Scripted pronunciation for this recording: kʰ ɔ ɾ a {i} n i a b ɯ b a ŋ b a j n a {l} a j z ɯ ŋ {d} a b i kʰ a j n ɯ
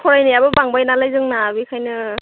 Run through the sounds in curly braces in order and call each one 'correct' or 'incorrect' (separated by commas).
incorrect, correct, incorrect